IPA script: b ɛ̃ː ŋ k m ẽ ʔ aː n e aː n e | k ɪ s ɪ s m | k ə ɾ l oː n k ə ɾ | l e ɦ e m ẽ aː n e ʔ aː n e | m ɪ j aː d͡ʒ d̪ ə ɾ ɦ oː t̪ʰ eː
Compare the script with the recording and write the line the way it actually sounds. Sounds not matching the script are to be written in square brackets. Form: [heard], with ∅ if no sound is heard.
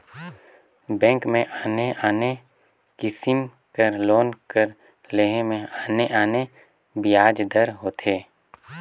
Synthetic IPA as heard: b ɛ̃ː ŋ k m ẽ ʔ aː n e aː n e | k ɪ s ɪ [∅] m | k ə ɾ l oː n k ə ɾ | l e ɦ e m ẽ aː n e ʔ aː n e | [b] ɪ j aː d͡ʒ d̪ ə ɾ ɦ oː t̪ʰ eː